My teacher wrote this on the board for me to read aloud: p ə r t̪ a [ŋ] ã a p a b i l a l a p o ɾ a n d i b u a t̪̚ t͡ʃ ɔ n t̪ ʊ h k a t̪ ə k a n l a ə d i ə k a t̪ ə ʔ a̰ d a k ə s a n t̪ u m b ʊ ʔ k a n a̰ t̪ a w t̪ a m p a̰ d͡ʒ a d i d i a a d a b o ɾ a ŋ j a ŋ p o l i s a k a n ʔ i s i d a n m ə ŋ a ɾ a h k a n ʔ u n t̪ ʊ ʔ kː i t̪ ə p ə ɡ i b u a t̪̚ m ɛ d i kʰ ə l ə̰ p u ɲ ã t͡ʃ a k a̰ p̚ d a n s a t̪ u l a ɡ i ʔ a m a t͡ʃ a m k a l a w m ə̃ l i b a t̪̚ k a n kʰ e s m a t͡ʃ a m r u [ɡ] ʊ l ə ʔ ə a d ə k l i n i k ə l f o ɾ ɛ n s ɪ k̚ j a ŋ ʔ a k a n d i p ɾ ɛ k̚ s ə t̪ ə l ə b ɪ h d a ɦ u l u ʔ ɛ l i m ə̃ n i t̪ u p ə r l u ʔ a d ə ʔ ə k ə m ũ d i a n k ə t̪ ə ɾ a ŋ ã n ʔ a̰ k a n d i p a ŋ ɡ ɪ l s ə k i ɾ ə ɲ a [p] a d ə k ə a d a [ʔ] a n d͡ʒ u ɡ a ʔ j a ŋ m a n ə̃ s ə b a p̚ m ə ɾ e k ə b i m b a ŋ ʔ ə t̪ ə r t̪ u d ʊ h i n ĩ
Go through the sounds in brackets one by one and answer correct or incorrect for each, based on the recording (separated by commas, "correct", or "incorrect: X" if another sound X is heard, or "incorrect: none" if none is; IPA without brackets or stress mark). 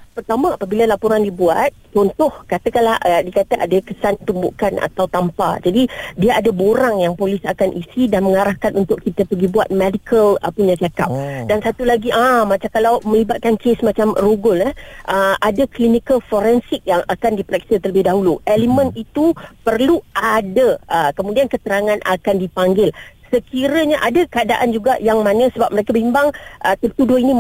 incorrect: m, correct, incorrect: ʔ, correct